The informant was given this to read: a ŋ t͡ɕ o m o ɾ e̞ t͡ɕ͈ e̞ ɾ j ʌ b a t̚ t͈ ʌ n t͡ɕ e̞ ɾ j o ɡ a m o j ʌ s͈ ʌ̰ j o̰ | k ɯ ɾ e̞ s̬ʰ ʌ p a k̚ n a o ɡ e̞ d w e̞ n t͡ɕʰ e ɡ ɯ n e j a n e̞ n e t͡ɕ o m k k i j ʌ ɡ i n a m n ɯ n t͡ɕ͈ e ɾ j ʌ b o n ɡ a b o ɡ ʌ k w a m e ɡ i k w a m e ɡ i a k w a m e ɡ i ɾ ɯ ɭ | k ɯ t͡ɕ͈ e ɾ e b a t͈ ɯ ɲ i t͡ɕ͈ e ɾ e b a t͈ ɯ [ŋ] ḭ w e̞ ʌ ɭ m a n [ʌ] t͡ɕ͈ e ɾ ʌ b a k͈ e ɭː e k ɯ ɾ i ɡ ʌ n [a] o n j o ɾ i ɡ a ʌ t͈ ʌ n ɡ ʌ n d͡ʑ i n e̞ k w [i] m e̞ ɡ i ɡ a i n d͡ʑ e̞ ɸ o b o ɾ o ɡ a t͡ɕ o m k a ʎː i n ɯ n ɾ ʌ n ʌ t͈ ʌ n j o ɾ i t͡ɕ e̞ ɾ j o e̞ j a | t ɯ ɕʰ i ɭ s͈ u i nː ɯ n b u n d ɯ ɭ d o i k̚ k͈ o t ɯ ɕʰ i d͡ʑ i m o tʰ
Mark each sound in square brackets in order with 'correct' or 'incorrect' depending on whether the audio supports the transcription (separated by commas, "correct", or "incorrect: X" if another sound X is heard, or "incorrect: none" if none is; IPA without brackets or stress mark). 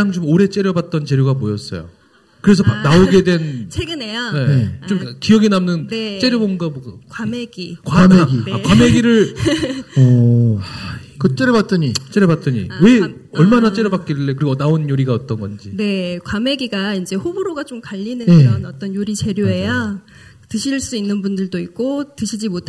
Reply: incorrect: ɲ, incorrect: a, correct, incorrect: a